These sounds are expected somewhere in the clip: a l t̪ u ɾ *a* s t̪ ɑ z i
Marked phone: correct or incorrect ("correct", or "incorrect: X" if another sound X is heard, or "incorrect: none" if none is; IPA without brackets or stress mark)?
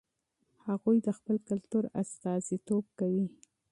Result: correct